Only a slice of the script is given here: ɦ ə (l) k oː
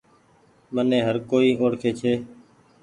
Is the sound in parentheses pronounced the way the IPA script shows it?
no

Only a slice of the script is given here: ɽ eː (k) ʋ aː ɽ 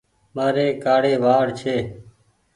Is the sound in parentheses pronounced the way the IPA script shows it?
no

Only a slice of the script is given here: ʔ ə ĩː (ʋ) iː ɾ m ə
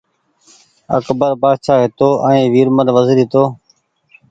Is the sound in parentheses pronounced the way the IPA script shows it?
yes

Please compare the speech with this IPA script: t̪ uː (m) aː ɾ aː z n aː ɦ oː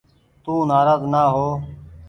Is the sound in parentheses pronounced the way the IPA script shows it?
no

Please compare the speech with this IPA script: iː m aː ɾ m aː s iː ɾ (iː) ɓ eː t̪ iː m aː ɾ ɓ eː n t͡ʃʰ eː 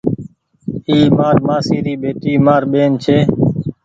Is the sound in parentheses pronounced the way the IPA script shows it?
yes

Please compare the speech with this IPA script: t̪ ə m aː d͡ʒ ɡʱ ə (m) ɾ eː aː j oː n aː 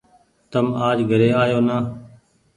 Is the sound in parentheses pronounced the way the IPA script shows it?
no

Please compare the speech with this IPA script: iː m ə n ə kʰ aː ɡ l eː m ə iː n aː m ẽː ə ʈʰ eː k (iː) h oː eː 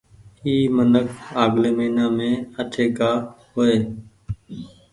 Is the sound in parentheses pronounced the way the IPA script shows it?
no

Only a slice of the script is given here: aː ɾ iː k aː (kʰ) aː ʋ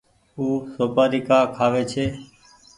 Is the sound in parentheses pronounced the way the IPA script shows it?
yes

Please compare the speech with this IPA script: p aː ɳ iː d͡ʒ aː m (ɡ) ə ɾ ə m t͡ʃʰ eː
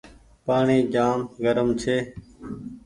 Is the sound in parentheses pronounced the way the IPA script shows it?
yes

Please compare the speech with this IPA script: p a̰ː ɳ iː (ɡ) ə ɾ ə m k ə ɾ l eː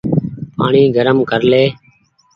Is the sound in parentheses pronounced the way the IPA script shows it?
yes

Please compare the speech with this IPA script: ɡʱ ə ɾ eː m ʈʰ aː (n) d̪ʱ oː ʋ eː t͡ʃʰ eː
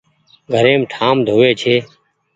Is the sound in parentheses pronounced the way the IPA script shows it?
no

